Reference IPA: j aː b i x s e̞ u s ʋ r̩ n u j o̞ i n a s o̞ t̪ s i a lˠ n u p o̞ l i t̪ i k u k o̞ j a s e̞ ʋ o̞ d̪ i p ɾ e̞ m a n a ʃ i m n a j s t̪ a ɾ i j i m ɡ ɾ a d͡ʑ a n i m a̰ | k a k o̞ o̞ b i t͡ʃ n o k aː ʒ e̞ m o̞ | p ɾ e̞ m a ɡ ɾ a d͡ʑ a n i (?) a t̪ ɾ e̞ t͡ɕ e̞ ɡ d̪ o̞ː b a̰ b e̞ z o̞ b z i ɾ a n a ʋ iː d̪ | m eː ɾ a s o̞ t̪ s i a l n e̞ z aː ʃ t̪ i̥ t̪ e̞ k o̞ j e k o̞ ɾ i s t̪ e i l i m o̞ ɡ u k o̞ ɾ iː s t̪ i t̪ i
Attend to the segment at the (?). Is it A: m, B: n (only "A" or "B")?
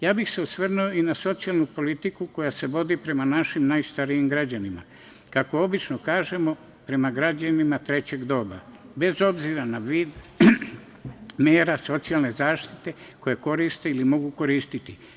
A